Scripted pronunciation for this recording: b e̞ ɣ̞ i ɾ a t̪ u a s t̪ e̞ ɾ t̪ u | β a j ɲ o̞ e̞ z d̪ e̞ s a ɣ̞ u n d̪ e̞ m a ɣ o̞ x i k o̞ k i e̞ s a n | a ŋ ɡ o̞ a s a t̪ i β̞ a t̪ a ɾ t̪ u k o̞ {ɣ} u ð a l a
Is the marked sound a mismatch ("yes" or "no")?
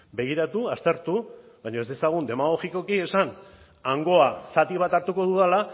yes